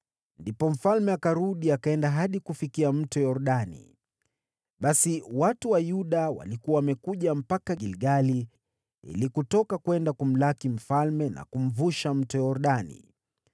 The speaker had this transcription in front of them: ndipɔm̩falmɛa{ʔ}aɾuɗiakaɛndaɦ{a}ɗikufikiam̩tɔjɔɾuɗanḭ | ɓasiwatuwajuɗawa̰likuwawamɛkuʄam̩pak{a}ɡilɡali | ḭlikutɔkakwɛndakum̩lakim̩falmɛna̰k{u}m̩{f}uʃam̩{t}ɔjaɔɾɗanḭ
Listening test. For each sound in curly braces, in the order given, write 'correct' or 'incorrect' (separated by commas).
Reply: incorrect, correct, correct, correct, incorrect, correct